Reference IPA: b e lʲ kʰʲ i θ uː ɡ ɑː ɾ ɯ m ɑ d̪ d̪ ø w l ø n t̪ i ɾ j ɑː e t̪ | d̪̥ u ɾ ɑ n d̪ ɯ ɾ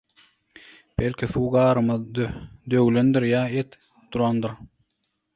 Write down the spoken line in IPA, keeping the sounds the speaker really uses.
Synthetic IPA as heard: b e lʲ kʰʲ i θ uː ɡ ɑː ɾ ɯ m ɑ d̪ d̪ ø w l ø n d̪ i ɾ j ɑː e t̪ | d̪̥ u ɾ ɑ n d̪ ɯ ɾ